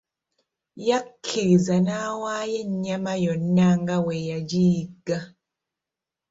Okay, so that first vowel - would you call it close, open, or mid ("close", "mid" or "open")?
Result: open